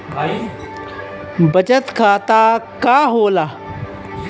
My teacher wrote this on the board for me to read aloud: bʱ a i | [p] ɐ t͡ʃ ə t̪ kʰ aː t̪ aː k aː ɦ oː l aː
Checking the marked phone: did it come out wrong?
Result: yes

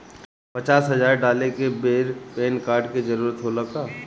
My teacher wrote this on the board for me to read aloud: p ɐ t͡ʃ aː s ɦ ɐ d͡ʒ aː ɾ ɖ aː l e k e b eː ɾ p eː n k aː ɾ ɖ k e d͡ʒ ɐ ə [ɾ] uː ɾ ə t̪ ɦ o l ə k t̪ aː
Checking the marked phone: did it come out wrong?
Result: no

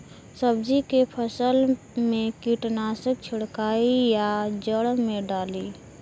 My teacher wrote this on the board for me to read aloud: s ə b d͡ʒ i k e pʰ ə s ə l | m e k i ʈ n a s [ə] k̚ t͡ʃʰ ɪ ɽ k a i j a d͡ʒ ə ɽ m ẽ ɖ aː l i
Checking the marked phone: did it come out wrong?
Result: no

